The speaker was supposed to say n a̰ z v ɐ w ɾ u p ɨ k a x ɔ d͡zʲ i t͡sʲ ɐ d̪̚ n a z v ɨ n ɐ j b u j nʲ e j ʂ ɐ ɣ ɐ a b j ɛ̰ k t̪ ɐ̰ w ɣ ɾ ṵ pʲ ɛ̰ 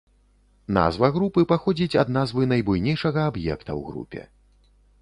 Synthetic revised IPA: n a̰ z v ɐ ɣ ɾ u p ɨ p a x ɔ d͡zʲ i t͡sʲ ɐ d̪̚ n a z v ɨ n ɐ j b u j nʲ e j ʂ ɐ ɣ ɐ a b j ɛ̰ k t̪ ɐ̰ w ɣ ɾ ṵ pʲ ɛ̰